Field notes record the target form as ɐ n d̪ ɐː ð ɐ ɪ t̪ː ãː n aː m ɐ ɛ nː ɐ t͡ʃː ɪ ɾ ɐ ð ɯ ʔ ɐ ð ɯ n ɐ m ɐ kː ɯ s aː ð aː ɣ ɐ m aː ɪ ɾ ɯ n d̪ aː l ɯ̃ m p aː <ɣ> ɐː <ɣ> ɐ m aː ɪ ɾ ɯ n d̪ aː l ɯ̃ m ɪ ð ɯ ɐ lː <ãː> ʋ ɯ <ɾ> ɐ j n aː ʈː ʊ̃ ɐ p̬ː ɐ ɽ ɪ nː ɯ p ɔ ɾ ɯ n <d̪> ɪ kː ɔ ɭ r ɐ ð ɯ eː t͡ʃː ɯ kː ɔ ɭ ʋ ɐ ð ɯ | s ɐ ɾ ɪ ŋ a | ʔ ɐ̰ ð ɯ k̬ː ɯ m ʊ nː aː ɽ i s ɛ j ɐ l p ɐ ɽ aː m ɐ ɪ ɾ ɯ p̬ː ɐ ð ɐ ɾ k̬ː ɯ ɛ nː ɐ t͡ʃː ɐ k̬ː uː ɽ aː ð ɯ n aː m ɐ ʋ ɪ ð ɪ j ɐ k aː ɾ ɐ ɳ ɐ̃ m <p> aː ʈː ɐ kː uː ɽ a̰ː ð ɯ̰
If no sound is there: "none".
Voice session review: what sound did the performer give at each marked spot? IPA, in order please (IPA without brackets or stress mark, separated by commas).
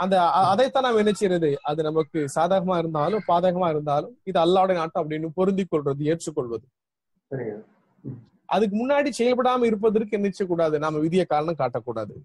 ð, ɣ, aː, ɽ, d̪, k